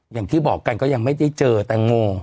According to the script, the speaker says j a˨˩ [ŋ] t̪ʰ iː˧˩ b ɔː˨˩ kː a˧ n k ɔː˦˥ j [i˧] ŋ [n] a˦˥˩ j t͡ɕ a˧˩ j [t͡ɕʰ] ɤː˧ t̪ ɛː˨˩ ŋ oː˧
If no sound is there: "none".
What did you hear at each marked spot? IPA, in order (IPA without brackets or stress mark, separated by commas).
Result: ŋ, a˧, m, t͡ɕ